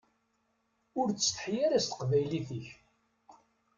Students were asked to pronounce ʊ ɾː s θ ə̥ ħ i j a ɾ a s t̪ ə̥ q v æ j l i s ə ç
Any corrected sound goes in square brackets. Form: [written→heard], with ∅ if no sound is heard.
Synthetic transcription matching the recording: ʊ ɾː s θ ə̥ ħ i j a ɾ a s t̪ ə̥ q v æ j l i [s→θ] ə ç